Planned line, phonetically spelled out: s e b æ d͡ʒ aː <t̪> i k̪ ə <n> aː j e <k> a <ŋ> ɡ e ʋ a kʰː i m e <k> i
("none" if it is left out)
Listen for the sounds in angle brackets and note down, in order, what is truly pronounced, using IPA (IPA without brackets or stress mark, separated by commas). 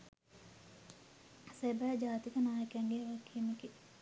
t̪, n, k, ŋ, k